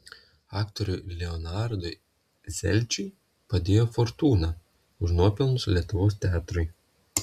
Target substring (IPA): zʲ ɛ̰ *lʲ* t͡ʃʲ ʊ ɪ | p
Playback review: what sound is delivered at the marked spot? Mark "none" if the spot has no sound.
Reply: lʲ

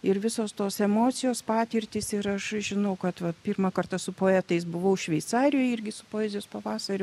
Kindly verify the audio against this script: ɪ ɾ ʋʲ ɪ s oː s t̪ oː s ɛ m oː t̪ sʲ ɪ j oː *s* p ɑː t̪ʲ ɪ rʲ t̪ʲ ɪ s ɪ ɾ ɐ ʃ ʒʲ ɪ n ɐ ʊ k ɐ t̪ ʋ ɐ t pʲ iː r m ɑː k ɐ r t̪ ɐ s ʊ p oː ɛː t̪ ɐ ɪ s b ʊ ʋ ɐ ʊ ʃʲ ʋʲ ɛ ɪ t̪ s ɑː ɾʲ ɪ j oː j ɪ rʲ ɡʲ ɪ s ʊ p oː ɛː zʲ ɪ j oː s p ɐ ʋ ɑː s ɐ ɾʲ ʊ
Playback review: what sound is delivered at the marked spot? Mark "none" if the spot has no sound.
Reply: s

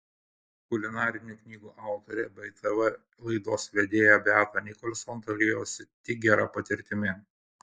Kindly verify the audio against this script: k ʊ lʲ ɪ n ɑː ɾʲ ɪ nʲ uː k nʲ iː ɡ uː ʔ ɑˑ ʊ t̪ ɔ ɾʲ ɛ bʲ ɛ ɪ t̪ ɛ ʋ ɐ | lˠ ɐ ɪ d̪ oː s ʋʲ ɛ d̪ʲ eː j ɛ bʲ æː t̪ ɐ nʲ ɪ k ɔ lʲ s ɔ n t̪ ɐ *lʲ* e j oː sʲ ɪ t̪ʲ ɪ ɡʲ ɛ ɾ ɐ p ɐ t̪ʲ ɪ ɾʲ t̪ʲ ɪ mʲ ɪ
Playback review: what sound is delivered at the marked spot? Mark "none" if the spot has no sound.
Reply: lʲ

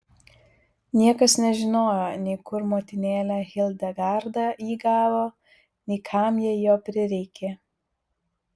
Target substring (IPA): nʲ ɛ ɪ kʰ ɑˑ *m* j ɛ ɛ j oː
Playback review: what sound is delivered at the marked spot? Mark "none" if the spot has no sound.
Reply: m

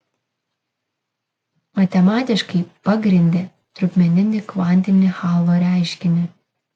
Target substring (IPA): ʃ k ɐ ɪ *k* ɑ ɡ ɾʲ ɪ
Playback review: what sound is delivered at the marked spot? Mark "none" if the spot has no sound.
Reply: p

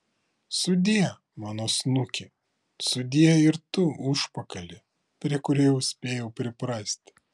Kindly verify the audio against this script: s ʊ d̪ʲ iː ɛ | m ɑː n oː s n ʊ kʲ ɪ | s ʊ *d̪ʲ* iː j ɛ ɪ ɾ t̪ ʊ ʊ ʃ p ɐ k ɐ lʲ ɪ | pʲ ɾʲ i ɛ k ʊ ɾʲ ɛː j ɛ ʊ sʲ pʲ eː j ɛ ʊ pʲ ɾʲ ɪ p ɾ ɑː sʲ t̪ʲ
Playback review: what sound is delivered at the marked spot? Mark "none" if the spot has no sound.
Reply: d̪ʲ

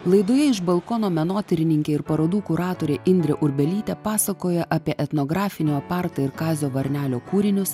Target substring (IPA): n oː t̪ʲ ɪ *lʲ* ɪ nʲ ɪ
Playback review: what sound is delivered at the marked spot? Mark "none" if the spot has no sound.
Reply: ɾʲ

